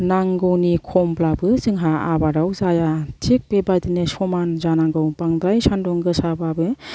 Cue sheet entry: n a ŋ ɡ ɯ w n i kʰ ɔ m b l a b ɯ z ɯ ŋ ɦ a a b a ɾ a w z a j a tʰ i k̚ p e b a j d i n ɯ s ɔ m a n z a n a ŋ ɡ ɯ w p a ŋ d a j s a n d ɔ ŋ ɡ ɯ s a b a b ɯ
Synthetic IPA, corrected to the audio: n a ŋ ɡ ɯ w n i kʰ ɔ m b l a b ɯ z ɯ ŋ ɦ a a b a ɾ a w z a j a tʰ i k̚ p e b a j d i n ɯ s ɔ m a n z a n a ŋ ɡ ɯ w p a ŋ d a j s a n d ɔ ŋ ɡ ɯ s a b a b ɯ

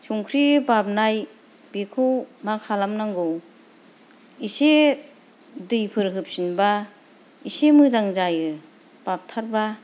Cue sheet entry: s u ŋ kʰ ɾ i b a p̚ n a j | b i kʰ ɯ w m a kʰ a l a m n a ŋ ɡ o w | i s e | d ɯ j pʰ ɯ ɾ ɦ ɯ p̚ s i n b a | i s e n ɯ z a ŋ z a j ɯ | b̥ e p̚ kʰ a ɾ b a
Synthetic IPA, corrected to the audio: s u ŋ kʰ ɾ i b a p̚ n a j | b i kʰ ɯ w m a kʰ a l a m n a ŋ ɡ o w | i s e | d ɯ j pʰ ɯ ɾ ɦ ɯ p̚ s i n b a | i s e m ɯ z a ŋ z a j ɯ | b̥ a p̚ tʰ a ɾ b a

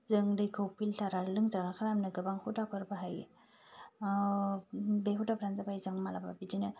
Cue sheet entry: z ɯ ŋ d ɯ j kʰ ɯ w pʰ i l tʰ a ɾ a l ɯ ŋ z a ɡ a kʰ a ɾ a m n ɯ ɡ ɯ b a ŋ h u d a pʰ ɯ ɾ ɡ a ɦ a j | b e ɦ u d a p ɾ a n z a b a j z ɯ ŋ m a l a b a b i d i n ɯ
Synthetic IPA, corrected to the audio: z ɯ ŋ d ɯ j kʰ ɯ w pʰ i l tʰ a ɾ a l ɯ ŋ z a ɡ a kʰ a ɾ a m n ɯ ɡ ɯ b a ŋ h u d a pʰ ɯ ɾ b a ɦ a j | b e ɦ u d a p ɾ a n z a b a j z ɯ ŋ m a l a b a b i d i n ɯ

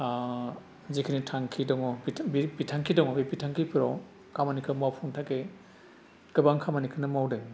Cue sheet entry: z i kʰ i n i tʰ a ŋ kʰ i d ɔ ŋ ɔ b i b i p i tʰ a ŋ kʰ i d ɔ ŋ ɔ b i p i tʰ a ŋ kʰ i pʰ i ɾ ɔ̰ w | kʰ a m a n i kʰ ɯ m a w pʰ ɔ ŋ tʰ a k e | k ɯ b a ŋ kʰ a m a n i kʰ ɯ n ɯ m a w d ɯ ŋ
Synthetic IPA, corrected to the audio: z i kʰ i n i tʰ a ŋ kʰ i d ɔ ŋ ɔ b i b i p i tʰ a ŋ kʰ i d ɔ ŋ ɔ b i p i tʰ a ŋ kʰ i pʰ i ɾ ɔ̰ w | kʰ a m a n i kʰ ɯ m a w pʰ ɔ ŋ tʰ a k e | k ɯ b a ŋ kʰ a m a n i kʰ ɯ n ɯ m a w d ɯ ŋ

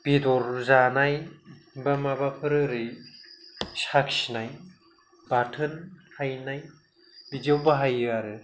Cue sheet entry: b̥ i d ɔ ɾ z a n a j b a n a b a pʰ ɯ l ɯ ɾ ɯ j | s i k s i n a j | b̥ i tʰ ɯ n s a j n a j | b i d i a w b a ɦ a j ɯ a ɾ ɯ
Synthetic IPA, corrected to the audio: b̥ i d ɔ ɾ z a n a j b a m a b a pʰ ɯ ɾ ɯ ɾ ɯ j | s a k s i n a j | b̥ a tʰ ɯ n h a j n a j | b i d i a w b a ɦ a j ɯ a ɾ ɯ

